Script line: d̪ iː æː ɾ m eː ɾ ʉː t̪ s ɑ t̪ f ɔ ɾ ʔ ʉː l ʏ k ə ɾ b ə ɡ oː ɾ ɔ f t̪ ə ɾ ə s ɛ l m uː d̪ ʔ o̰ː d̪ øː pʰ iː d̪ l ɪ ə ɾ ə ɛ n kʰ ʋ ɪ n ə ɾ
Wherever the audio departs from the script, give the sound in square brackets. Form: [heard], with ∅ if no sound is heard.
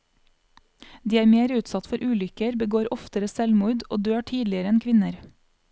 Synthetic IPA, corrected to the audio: d̪ iː æː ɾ m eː ɾ ʉː t̪ s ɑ t̪ f ɔ ɾ ʔ ʉː l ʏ k ə ɾ b ə ɡ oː ɾ ɔ f t̪ ə ɾ ə s ɛ l m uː d̪ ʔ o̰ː d̪ øː [ʈʰ] iː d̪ l ɪ ə ɾ ə ɛ n kʰ ʋ ɪ n ə ɾ